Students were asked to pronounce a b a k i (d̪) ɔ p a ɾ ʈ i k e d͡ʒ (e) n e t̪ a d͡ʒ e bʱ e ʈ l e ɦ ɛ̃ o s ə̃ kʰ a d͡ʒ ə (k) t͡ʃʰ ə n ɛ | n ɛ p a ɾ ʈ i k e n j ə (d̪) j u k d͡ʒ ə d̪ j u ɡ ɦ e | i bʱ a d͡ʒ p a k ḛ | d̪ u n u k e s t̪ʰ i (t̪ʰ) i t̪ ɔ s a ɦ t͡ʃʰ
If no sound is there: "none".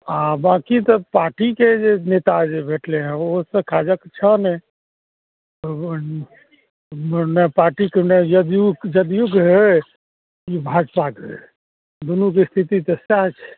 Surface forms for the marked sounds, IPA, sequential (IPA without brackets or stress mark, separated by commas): t̪, e, k, d̪, t̪